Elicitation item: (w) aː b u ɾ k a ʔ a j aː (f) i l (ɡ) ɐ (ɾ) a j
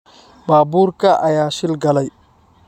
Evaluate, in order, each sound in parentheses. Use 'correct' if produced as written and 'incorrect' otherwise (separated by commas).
incorrect, incorrect, correct, incorrect